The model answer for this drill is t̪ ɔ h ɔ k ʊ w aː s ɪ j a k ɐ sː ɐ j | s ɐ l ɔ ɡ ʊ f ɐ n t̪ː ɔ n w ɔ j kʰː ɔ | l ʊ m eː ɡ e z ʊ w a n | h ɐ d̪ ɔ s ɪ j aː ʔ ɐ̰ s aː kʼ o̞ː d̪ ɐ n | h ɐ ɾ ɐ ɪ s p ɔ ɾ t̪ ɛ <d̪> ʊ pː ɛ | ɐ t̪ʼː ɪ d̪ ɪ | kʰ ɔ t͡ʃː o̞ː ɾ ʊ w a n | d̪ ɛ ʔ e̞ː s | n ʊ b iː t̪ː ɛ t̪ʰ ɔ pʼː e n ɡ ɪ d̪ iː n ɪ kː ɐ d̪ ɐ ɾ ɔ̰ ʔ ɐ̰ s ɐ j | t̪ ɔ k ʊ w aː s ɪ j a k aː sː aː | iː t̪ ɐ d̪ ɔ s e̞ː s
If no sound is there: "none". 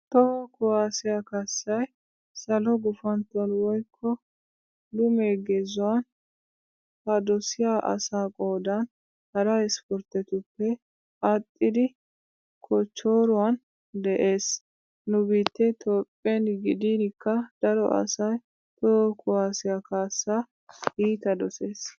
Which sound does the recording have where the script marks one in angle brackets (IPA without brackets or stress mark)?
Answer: t̪